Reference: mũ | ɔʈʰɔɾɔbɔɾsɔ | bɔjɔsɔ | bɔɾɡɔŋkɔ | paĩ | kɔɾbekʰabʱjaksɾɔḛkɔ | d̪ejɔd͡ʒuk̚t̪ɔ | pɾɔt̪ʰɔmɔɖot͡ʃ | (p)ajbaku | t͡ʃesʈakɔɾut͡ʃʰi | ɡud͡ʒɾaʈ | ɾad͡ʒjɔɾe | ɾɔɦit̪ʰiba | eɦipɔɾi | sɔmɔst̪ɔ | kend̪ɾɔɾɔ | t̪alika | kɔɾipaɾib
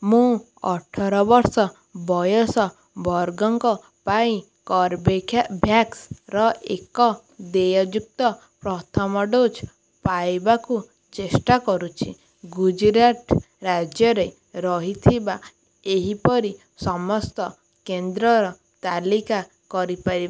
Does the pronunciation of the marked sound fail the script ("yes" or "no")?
no